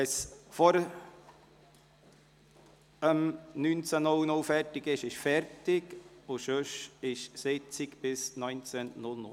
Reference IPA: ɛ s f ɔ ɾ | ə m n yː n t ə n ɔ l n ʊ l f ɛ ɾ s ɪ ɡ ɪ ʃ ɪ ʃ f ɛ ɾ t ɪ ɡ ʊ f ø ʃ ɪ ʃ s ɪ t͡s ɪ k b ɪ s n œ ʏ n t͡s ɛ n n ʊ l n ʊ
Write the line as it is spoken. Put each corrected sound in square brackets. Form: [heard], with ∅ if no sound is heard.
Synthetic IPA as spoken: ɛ s f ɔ ɾ | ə m n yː n [t͡s] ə n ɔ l n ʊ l f ɛ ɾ [t] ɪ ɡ ɪ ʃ ɪ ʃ f ɛ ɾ t ɪ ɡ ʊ [ʃ] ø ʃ ɪ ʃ s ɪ t͡s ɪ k b ɪ s n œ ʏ n t͡s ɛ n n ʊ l n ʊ